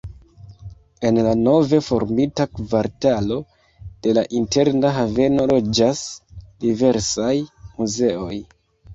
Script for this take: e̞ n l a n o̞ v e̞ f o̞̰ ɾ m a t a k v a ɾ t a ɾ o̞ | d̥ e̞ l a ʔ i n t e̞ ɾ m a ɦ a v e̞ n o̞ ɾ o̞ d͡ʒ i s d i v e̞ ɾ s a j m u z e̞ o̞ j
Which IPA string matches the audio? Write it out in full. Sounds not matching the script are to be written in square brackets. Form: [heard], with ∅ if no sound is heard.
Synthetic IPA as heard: e̞ n l a n o̞ v e̞ f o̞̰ ɾ m [i] t a k v a ɾ t a [l] o̞ | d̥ e̞ l a ʔ i n t e̞ ɾ [n] a ɦ a v e̞ n o̞ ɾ o̞ d͡ʒ [a] s d i v e̞ ɾ s a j m u z e̞ o̞ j